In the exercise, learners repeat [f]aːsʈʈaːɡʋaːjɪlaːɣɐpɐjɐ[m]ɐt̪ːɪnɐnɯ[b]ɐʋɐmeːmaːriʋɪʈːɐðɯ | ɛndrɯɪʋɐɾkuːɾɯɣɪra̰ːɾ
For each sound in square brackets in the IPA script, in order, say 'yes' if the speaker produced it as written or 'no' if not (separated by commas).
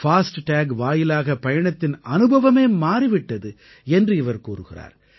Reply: yes, no, yes